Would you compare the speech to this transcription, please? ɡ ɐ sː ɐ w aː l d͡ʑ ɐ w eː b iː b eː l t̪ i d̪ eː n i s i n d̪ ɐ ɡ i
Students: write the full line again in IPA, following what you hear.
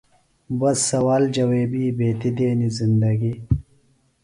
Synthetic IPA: b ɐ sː ɐ w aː l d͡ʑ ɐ w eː b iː b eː t̪ i d̪ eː n i z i n d̪ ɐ ɡ i